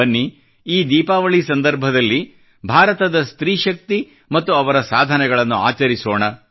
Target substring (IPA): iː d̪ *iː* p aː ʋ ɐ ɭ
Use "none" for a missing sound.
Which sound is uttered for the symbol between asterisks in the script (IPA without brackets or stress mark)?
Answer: iː